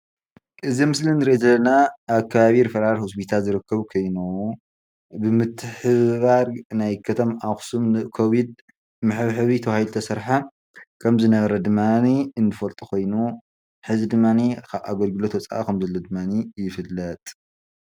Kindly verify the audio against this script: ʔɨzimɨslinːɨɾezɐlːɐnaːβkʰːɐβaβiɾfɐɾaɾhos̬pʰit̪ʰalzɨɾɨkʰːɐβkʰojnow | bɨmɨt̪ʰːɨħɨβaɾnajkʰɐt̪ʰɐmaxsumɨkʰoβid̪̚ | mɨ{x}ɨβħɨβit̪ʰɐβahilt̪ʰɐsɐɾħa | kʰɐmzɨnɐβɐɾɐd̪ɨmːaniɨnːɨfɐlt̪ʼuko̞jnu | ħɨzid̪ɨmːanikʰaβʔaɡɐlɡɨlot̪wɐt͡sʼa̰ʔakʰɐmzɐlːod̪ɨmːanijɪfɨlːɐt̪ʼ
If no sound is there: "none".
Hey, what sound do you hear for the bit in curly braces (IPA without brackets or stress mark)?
ħ